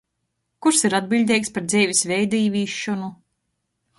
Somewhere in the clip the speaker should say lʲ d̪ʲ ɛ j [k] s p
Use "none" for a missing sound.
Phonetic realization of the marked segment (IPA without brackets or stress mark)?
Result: k